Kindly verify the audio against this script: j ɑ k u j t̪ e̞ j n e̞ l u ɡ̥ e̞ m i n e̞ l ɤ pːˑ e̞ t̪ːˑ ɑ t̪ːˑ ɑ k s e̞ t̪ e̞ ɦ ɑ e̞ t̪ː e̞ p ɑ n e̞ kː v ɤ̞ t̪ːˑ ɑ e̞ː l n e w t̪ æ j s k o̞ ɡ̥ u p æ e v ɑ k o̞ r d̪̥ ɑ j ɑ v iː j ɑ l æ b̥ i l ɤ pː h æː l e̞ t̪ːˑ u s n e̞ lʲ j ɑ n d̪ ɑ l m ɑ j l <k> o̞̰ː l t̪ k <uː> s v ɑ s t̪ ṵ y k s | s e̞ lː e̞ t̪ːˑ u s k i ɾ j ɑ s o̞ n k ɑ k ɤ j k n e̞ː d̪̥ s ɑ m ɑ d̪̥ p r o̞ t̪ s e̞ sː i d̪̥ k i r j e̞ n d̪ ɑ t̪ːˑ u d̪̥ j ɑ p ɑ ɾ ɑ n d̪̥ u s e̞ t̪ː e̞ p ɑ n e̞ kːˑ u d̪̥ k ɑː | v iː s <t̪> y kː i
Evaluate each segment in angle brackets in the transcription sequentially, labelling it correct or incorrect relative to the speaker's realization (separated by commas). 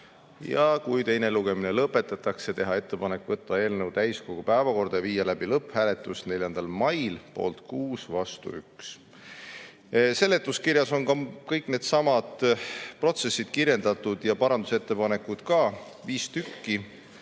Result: incorrect, correct, correct